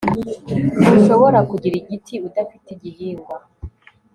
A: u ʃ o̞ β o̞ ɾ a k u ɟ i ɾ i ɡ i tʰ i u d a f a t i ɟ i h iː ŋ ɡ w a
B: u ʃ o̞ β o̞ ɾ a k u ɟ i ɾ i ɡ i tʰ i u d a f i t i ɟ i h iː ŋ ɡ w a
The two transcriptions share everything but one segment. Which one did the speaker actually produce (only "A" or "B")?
B